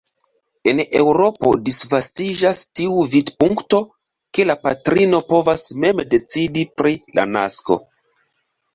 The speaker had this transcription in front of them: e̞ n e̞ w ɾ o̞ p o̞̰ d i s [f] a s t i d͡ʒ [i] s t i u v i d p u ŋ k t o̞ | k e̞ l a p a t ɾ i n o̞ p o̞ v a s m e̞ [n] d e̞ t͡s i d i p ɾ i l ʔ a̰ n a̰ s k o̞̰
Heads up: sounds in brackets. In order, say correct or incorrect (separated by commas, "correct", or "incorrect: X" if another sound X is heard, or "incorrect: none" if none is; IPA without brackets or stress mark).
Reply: incorrect: v, incorrect: a, incorrect: m